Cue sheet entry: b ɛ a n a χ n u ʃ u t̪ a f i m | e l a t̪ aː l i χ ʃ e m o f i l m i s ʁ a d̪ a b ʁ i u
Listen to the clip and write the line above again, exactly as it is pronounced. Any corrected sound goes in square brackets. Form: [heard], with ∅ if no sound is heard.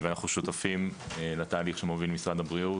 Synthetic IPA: [v] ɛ a n a χ n u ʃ u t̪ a f i m | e l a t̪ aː l i χ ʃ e m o [v] i l m i s ʁ a d̪ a b ʁ i u